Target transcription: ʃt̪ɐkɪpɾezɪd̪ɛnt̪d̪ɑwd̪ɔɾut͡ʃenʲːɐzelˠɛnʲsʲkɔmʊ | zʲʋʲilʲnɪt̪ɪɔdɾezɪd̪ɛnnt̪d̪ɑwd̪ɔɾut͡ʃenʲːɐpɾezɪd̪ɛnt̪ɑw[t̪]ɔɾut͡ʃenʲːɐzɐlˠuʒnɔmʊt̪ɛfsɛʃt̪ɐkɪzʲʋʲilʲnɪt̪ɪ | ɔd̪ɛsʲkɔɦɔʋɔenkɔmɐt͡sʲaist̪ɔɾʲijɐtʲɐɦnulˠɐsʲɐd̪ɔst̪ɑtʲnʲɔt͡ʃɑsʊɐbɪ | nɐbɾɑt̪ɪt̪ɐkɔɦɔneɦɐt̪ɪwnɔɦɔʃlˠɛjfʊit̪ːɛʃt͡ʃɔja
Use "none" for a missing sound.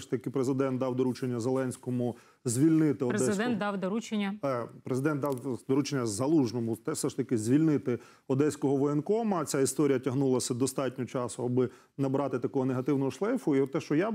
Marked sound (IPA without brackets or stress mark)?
d̪